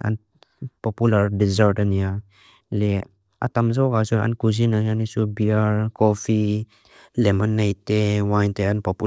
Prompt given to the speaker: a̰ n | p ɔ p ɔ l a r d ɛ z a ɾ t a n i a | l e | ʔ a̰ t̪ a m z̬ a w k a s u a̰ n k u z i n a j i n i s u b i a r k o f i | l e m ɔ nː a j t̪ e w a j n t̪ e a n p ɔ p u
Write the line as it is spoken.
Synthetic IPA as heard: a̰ n | p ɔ p u l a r d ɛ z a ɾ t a n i a | l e | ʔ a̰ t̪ a m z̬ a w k a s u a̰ n k u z i n a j a n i s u b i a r k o f i | l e m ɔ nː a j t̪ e w a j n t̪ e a n p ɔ p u